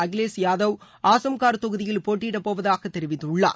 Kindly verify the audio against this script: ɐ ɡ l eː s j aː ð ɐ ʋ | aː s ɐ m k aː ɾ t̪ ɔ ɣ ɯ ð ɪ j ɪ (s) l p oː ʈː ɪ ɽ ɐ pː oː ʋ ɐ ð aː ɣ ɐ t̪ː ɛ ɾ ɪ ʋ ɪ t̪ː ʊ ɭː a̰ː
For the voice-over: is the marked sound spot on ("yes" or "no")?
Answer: no